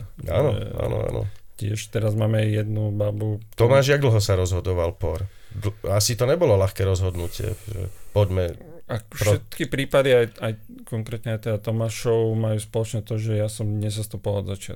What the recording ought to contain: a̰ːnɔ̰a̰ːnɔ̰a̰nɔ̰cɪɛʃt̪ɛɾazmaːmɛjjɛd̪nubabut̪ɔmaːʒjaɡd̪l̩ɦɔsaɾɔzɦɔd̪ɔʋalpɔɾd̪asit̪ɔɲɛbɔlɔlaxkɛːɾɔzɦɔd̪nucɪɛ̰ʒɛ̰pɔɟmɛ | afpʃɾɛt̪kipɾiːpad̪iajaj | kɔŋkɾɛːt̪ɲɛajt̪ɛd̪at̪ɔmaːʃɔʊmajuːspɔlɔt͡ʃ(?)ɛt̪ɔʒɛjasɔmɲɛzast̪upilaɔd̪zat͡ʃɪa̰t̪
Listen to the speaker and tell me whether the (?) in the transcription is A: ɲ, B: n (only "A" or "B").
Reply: A